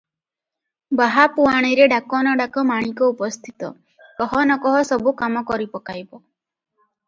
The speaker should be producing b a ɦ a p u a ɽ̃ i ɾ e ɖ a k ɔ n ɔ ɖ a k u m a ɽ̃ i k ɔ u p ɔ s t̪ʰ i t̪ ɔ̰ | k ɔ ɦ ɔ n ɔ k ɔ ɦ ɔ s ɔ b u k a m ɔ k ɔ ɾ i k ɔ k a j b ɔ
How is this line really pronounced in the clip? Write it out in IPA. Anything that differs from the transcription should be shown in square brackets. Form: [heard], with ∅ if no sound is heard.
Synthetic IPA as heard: b a ɦ a p u a ɽ̃ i ɾ e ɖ a k ɔ n ɔ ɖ a k [ɔ] m a ɽ̃ i k ɔ u p ɔ s t̪ʰ i t̪ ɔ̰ | k ɔ ɦ ɔ n ɔ k ɔ ɦ ɔ s ɔ b u k a m ɔ k ɔ ɾ i [p] ɔ k a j b ɔ